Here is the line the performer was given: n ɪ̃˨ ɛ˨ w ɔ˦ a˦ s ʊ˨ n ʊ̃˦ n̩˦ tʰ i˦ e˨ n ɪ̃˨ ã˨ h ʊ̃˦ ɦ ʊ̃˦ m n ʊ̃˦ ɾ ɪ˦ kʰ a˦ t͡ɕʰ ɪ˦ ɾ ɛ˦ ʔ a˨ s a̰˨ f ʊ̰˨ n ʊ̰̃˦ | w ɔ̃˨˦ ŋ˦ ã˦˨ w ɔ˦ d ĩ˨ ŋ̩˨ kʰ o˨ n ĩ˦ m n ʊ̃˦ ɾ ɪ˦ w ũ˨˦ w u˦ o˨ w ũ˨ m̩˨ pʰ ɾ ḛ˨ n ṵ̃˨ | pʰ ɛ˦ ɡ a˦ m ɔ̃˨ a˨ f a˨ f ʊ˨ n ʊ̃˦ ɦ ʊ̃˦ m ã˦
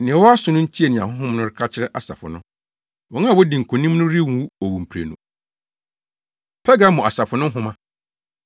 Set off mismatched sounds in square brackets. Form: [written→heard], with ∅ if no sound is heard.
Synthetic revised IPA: n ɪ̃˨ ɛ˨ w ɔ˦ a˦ s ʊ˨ n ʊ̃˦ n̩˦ tʰ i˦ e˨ n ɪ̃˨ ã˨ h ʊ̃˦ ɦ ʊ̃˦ m n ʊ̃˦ ɾ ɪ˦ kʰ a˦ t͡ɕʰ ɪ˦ ɾ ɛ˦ ʔ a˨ s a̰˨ f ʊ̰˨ n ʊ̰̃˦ | w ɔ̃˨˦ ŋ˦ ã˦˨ w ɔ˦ d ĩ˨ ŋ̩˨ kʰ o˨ n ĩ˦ m n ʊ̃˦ ɾ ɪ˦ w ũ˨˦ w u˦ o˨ w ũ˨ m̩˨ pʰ ɾ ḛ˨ n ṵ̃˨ | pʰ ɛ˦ ɡ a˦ m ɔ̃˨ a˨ [f→s] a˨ f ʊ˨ n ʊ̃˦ ɦ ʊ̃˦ m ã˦